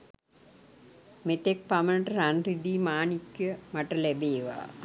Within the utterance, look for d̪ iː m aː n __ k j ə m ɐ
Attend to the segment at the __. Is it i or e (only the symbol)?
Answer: i